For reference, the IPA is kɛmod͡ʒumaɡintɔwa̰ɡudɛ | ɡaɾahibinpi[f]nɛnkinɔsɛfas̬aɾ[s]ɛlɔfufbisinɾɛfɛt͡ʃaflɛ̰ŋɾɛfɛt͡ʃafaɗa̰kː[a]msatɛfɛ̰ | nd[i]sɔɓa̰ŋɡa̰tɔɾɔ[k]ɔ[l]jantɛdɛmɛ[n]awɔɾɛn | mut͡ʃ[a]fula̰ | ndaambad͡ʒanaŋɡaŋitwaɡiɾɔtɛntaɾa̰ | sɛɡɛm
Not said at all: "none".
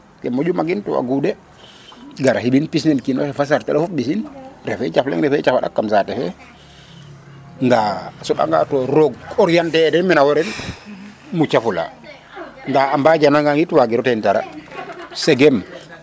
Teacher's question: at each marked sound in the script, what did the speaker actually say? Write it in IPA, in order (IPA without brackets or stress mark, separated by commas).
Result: s, t, a, a, ɡ, ɾ, n, a